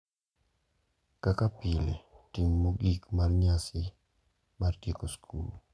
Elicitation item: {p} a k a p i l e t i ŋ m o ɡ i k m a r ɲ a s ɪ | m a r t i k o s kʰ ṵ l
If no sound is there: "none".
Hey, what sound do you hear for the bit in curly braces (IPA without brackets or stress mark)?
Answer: k